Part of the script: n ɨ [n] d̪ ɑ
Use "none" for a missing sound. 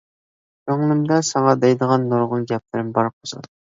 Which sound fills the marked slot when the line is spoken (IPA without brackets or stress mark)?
m